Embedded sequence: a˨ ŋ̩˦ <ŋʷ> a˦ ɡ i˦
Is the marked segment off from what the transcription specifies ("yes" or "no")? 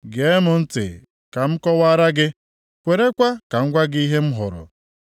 yes